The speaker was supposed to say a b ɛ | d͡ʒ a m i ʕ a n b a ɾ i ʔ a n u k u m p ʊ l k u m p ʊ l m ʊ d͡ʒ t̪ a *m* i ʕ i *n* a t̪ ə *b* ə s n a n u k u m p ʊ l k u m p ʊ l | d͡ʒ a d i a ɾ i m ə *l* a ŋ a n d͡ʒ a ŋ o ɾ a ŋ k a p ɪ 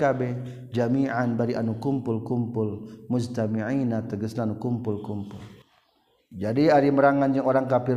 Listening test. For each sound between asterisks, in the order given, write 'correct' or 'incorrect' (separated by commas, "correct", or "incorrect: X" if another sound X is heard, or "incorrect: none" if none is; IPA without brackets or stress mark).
correct, correct, incorrect: ɡ, incorrect: ɾ